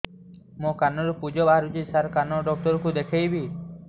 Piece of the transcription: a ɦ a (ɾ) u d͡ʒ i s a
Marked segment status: correct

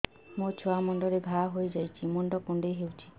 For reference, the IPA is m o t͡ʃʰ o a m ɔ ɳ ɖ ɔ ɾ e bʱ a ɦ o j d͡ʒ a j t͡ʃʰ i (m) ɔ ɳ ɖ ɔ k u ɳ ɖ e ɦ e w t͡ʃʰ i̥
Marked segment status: correct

